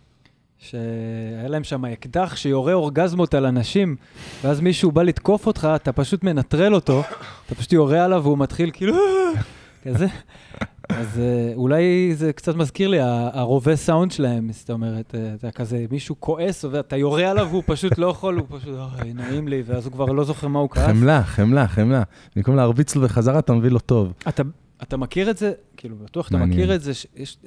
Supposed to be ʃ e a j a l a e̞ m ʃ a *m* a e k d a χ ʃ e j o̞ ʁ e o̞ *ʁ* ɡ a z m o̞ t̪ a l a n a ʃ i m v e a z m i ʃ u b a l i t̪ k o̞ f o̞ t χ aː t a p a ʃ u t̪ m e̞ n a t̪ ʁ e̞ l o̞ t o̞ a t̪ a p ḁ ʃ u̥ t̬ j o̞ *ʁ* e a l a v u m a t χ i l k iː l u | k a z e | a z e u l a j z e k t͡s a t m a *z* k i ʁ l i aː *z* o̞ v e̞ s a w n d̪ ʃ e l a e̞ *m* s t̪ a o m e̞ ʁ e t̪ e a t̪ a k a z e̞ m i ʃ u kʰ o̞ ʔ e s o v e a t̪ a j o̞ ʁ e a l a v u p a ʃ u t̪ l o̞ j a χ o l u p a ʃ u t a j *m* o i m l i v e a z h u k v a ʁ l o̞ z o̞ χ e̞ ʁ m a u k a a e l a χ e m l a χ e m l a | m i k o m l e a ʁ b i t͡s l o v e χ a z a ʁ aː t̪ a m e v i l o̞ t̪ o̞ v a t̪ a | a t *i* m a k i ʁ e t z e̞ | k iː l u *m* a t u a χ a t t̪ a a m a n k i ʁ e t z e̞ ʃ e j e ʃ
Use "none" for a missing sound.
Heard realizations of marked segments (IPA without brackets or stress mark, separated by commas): m, ʁ, ʁ, z, ʁ, m, n, a, b